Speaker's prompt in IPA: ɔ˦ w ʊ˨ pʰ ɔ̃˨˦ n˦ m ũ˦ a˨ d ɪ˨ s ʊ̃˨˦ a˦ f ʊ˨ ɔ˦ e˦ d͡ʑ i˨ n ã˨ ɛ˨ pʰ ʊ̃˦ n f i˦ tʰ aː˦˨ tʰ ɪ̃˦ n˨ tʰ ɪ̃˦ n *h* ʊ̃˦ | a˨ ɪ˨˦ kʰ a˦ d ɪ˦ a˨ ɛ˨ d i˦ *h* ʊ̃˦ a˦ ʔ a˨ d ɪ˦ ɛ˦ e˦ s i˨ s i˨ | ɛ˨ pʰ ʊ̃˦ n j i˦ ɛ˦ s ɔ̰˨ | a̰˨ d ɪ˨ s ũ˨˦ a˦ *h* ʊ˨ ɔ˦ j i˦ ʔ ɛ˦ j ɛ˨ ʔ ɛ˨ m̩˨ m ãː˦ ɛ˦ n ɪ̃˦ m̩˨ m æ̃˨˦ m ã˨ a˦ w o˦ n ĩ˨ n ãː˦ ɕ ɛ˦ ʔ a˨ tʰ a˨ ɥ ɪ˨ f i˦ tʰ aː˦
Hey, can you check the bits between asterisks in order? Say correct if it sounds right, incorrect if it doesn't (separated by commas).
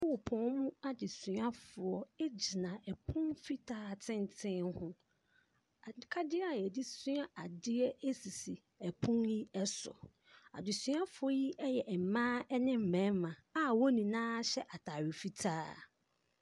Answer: correct, incorrect, incorrect